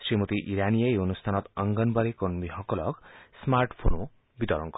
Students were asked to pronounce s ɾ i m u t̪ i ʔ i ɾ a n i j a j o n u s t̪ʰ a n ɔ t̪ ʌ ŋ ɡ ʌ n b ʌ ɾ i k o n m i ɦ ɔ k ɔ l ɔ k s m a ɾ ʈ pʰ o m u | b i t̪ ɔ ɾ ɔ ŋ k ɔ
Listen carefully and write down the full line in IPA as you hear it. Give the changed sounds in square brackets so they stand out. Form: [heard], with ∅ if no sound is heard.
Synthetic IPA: s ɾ i m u t̪ i ʔ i ɾ a n i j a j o n u s t̪ʰ a n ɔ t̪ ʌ ŋ ɡ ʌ n b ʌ ɾ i k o n m i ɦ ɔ k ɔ l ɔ k s m a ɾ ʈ pʰ o [n] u | b i t̪ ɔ ɾ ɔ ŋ k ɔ